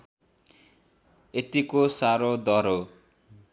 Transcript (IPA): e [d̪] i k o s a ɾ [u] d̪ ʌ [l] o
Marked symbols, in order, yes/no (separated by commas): no, no, no